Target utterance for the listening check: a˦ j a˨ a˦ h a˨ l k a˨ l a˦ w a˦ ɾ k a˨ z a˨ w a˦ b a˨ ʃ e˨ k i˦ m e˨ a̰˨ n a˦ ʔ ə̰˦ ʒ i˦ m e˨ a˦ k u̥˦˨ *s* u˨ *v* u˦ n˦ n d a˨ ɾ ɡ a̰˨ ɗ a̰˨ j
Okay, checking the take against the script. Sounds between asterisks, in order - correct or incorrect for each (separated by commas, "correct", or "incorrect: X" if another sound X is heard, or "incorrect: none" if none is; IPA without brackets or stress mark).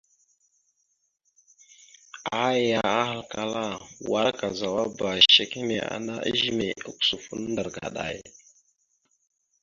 correct, incorrect: f